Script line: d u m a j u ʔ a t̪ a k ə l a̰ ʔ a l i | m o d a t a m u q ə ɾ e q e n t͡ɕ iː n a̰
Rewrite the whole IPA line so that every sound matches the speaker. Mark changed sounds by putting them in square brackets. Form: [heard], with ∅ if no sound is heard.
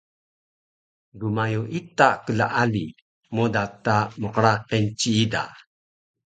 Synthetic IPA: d u m a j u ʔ [i] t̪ a k ə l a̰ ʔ a l i | m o d a t a m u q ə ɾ [a] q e n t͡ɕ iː [d] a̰